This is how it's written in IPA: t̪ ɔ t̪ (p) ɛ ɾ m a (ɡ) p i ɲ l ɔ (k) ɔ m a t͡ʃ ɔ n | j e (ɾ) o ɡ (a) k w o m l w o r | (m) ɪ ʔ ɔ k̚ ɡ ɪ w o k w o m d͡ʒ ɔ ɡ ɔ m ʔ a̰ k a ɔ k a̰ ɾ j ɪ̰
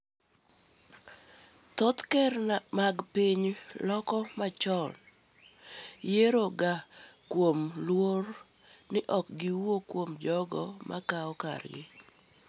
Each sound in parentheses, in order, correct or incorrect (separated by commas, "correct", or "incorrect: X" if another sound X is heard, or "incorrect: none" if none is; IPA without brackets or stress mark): incorrect: k, correct, correct, correct, correct, incorrect: n